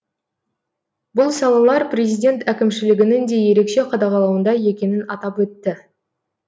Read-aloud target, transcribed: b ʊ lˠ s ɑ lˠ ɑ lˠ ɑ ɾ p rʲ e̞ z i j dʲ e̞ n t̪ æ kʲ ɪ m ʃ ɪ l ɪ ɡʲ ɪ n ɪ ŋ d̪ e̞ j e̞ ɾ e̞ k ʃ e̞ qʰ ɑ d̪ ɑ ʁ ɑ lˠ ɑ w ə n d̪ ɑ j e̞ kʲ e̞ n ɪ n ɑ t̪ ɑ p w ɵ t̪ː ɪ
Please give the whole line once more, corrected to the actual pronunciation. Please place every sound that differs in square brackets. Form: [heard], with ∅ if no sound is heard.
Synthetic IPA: b ʊ lˠ s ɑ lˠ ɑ lˠ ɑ ɾ p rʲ e̞ z i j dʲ e̞ n t̪ æ kʲ ɪ m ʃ ɪ l ɪ ɡʲ ɪ n ɪ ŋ d̪ e̞ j e̞ ɾ e̞ k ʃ e̞ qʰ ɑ d̪ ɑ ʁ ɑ lˠ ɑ w ə n d̪ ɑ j e̞ kʲ e̞ n ɪ n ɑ t̪ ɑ p w ɵ t̪ː ɪ

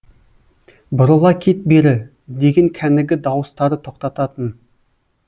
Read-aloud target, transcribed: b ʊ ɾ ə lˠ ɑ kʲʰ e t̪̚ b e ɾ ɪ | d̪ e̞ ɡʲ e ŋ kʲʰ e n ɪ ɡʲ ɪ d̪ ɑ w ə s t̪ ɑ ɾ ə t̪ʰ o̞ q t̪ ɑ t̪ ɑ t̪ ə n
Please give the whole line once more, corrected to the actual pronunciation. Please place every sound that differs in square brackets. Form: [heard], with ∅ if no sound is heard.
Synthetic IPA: b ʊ ɾ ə lˠ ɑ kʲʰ e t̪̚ b e ɾ ɪ | d̪ e̞ ɡʲ e ŋ kʲʰ [æ] n ɪ ɡʲ ɪ d̪ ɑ w ə s t̪ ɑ ɾ ə t̪ʰ o̞ q t̪ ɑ t̪ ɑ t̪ ə n

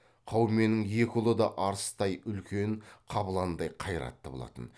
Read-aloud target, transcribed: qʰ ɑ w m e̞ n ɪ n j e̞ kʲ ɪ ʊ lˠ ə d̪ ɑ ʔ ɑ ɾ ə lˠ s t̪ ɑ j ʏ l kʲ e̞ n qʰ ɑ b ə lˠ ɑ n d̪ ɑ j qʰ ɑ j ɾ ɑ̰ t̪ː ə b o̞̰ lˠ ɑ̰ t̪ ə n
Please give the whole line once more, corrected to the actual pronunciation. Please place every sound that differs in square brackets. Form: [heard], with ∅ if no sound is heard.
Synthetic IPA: qʰ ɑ w m e̞ n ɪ [ŋ] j e̞ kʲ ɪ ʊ lˠ ə d̪ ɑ ʔ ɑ ɾ ə [∅] s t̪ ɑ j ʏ l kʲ e̞ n qʰ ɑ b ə lˠ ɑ n d̪ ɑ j qʰ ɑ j ɾ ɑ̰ t̪ː ə b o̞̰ lˠ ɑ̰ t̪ ə n

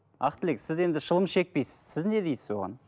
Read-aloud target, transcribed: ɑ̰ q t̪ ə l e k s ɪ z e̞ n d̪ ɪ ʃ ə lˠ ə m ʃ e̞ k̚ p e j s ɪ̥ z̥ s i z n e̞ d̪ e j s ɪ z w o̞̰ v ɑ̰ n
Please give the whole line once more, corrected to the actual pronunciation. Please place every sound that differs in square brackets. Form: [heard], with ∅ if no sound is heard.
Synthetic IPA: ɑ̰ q t̪ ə l e k s ɪ z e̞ n d̪ ɪ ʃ ə lˠ ə m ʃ e̞ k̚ p e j s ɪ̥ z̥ s [ɪ] z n e̞ d̪ e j s ɪ z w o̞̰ [ʁ] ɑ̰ n

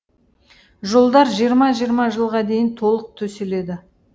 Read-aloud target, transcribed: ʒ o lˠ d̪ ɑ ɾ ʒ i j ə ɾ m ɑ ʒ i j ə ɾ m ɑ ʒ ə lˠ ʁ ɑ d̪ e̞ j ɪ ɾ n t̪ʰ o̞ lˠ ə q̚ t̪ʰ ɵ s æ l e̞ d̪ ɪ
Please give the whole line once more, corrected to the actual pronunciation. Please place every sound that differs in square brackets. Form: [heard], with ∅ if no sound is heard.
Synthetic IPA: ʒ o lˠ d̪ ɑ ɾ ʒ i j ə ɾ m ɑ ʒ i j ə ɾ m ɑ ʒ ə lˠ ʁ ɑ d̪ e̞ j ɪ [∅] n t̪ʰ o̞ lˠ ə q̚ t̪ʰ ɵ s [e] l e̞ d̪ ɪ

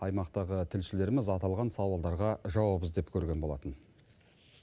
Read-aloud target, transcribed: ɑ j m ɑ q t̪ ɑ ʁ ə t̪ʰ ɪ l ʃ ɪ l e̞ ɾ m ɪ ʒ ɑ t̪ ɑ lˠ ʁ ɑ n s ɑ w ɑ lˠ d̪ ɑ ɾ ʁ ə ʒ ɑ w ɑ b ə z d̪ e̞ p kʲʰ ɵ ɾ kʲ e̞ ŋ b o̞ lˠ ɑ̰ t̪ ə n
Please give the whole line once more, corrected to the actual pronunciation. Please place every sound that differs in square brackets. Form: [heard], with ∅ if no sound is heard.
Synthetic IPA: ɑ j m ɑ q t̪ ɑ ʁ ə t̪ʰ ɪ l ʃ ɪ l e̞ ɾ m ɪ [z] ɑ t̪ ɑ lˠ ʁ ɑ n s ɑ w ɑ lˠ d̪ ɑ ɾ ʁ [ɑ] ʒ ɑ w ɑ b ə z d̪ e̞ p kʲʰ ɵ ɾ [ɡʲ] e̞ [n] b o̞ lˠ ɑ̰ t̪ ə n

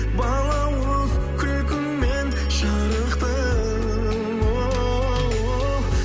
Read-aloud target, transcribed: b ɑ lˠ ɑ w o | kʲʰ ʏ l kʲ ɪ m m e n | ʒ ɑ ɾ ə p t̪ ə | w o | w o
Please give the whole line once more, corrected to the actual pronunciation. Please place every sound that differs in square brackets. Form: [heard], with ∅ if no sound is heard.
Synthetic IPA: b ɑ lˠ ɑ w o | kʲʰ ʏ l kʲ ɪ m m e n | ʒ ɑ ɾ ə [q] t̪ ə | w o | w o

